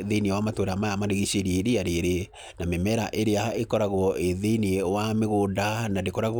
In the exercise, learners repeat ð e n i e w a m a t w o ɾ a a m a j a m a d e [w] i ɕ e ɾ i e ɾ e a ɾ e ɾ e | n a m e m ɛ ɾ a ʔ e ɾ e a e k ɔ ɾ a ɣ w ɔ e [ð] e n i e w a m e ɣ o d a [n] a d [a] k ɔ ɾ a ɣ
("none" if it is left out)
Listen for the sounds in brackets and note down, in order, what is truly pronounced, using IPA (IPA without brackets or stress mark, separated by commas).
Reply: ɣ, ð, n, e